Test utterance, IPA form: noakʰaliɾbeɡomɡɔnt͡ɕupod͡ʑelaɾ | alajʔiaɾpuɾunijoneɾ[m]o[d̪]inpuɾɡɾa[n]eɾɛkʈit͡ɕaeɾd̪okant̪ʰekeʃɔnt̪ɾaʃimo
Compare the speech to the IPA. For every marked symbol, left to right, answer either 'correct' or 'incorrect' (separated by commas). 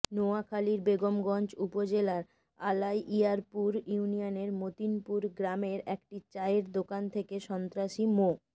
correct, incorrect, incorrect